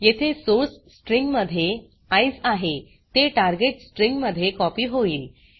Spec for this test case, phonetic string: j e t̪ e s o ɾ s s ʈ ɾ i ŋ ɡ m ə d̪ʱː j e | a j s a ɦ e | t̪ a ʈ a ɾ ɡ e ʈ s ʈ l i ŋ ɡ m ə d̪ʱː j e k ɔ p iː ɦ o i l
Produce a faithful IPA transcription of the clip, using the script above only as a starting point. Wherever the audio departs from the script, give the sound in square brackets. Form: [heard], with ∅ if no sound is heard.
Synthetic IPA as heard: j e [t̪ʰ] e s o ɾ s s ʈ ɾ i ŋ ɡ m ə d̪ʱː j e | a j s a ɦ e | t̪ [e] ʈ a ɾ ɡ e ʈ s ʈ [ɾ] i ŋ ɡ m ə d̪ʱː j e k ɔ p iː ɦ o [iː] l